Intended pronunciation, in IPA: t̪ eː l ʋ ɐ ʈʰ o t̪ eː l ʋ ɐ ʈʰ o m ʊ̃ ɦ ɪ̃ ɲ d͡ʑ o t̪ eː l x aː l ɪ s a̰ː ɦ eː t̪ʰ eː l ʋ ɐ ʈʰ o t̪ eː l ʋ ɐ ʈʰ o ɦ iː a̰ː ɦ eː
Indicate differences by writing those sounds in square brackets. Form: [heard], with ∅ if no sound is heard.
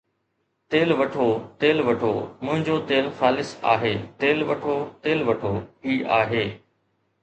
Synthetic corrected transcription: t̪ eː l ʋ ɐ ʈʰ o t̪ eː l ʋ ɐ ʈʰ o m ʊ̃ ɦ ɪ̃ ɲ d͡ʑ o t̪ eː l x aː l ɪ s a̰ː ɦ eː [t̪] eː l ʋ ɐ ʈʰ o t̪ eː l ʋ ɐ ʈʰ o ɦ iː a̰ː ɦ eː